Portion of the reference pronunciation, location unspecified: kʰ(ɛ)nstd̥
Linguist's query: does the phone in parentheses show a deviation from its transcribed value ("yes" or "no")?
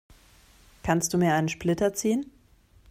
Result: yes